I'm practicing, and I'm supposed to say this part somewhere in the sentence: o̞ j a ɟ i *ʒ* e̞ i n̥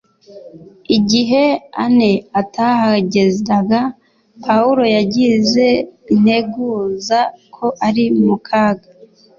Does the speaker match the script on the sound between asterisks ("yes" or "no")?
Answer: no